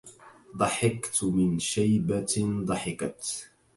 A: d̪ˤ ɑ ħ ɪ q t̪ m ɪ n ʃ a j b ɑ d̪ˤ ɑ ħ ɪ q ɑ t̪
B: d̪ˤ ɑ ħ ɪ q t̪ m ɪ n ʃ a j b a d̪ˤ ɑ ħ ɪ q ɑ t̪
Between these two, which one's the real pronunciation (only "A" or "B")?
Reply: B